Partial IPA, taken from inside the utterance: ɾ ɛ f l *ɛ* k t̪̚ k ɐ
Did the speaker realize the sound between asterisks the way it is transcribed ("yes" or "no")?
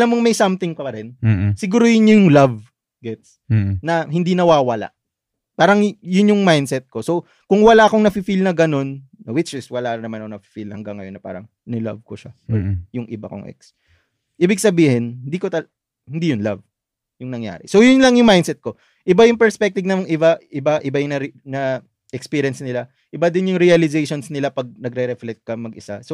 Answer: yes